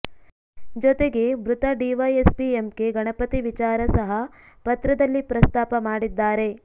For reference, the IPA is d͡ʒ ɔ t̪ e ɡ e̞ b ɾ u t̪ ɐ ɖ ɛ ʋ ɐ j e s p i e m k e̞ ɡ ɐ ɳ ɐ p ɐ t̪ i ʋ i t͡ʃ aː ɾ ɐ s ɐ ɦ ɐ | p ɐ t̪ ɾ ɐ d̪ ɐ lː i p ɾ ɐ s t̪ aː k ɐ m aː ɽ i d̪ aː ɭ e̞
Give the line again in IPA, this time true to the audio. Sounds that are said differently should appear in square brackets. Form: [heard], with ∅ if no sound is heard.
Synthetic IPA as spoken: d͡ʒ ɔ t̪ e ɡ e̞ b ɾ u t̪ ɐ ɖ [i] ʋ ɐ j e s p i e m k e̞ ɡ ɐ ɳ ɐ p ɐ t̪ i ʋ i t͡ʃ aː ɾ ɐ s ɐ ɦ ɐ | p ɐ t̪ ɾ ɐ d̪ ɐ lː i p ɾ ɐ s t̪ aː [p] ɐ m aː ɽ i [d̪ː] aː [ɾ] e̞